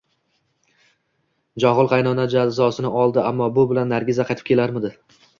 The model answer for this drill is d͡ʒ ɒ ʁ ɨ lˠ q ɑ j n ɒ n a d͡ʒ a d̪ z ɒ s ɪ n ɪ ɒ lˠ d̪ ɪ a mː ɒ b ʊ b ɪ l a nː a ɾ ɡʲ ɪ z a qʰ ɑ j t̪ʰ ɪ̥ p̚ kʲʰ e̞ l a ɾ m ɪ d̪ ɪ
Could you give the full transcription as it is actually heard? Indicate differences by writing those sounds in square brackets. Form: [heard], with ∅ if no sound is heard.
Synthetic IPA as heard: d͡ʒ ɒ ʁ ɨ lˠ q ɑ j n ɒ n a d͡ʒ a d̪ z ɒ s ɪ n ɪ ɒ lˠ d̪ ɪ a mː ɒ b ʊ b ɪ l a nː a ɾ ɡʲ ɪ z a qʰ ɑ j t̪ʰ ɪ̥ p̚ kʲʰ e̞ l a ɾ m ɪ d̪ ɪ